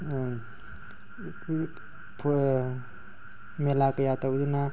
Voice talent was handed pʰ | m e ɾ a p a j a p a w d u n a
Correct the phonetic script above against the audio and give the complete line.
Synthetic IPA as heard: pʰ | m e l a k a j a t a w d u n a